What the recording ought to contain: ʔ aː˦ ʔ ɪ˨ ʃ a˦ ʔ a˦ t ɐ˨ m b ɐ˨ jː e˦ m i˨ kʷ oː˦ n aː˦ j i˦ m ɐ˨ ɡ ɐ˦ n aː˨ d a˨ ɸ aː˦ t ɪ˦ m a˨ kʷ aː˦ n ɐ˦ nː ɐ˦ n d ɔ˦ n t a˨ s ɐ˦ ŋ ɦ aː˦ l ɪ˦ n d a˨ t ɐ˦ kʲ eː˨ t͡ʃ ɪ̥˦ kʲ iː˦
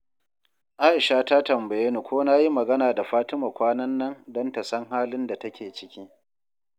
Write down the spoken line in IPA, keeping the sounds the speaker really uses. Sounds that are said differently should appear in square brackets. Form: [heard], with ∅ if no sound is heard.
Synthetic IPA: ʔ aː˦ ʔ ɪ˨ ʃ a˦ [t] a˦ t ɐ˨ m b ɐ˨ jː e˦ [n] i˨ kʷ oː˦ n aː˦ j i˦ m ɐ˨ ɡ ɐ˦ n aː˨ d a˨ ɸ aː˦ t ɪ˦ m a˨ kʷ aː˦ n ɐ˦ nː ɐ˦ n d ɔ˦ n t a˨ s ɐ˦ ŋ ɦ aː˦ l ɪ˦ n d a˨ t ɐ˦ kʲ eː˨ t͡ʃ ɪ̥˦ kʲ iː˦